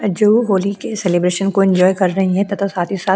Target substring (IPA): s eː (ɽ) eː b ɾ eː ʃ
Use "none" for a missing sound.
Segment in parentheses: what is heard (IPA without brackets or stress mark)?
l